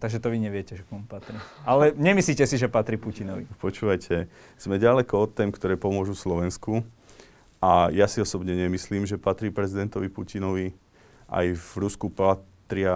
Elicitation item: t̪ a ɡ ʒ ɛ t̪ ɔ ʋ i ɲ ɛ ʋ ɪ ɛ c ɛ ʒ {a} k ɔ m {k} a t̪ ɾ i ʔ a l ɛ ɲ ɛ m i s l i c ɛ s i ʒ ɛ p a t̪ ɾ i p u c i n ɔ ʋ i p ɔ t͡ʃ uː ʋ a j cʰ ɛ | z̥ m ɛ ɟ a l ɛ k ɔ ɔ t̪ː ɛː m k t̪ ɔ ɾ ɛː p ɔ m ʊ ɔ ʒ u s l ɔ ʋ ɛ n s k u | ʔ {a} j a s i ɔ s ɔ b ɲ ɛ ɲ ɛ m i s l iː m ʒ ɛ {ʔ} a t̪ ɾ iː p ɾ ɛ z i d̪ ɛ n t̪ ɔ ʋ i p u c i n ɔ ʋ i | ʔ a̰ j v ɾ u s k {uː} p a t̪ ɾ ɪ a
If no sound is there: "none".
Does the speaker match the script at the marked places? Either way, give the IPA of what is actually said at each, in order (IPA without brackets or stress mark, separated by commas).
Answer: ɛ, p, a, p, u